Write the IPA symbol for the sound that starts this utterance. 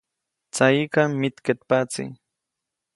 t͡s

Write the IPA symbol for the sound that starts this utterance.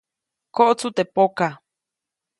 k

